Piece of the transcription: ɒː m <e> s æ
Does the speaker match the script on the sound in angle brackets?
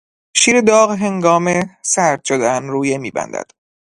yes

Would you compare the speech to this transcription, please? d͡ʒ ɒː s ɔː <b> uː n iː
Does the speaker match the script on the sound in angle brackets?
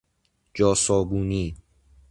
yes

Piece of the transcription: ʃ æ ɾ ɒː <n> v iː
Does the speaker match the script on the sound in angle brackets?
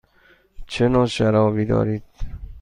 no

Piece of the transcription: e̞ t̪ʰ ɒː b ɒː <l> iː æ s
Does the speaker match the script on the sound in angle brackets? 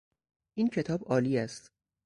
yes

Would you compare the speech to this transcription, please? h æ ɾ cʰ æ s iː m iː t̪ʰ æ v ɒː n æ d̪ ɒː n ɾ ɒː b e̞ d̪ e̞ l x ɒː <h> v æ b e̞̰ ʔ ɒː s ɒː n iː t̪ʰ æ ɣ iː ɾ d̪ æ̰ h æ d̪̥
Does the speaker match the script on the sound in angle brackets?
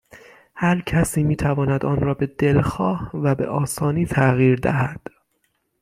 yes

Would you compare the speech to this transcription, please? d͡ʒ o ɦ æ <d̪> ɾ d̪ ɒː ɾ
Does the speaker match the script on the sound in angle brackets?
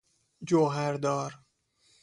no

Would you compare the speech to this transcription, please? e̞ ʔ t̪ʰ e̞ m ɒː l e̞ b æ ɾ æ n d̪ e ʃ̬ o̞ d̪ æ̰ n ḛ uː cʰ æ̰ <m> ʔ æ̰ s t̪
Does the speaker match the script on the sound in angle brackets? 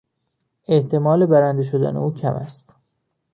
yes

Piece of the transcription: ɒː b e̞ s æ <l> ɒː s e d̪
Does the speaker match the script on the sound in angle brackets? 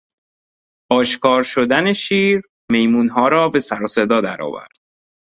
no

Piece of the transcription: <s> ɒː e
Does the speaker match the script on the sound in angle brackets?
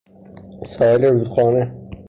yes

